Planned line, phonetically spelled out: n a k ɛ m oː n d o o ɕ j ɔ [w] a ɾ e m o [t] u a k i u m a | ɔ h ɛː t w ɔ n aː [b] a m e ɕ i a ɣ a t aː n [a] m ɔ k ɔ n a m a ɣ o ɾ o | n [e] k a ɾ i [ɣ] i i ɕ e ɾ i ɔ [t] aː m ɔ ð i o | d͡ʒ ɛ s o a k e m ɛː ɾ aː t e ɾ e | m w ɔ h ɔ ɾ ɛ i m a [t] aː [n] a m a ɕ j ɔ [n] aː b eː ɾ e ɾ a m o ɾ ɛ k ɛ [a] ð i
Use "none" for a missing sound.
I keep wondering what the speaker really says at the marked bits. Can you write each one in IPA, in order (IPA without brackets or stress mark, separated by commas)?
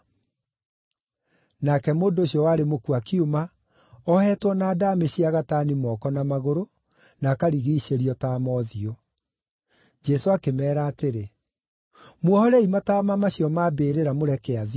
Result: w, k, d, i, a, ɣ, t, t, m, m, a